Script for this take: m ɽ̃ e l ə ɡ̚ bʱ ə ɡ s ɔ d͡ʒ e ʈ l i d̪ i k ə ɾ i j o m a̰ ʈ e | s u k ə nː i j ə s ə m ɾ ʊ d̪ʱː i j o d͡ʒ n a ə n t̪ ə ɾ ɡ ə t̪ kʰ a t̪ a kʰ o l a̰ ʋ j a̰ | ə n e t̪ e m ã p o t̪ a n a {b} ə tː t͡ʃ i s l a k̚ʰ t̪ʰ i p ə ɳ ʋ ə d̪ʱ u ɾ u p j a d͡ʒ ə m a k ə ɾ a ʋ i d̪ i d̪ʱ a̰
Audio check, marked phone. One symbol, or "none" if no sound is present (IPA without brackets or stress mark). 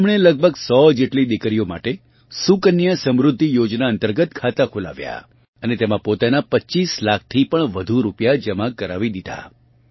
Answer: p